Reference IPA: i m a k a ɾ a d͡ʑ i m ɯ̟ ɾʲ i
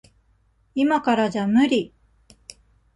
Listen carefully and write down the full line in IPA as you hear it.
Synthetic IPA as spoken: i m a k a ɾ a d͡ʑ a m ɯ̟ ɾʲ i